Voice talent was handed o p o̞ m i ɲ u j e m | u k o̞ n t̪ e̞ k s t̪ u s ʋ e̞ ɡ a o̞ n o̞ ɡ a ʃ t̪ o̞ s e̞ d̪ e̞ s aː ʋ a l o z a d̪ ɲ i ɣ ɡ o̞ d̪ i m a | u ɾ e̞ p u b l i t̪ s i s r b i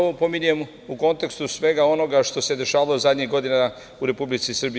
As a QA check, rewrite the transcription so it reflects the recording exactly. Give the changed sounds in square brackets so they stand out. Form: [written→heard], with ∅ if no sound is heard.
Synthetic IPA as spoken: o p o̞ m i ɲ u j e m | u k o̞ n t̪ e̞ k s t̪ u s ʋ e̞ ɡ a o̞ n o̞ ɡ a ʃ t̪ o̞ s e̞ d̪ e̞ [s→ʃ] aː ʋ a l o z a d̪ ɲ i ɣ ɡ o̞ d̪ i [m→n] a | u ɾ e̞ p u b l i t̪ s i s r b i